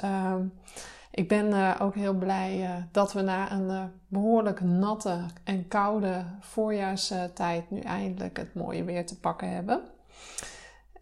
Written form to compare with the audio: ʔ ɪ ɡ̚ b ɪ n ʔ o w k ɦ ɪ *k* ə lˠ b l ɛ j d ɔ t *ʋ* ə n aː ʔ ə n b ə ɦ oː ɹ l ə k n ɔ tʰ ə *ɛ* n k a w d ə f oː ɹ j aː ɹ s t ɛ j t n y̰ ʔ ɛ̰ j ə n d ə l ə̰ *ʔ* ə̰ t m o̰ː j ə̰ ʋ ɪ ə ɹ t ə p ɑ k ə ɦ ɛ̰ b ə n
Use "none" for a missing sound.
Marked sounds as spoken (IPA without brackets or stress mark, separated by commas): none, ʋ, ɛ, k